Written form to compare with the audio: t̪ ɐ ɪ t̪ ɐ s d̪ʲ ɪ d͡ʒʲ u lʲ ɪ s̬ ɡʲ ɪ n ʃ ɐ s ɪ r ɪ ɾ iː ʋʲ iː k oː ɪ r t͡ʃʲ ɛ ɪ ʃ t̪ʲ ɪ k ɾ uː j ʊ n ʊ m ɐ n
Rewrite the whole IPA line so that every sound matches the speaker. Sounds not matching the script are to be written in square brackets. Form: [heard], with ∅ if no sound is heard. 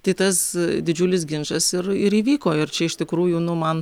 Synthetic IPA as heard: t̪ ɐ ɪ t̪ ɐ s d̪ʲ ɪ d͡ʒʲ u lʲ ɪ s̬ ɡʲ ɪ n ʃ ɐ s ɪ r ɪ ɾ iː ʋʲ iː k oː ɪ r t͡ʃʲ ɛ ɪ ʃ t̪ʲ ɪ k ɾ uː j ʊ n ʊ m ɐ n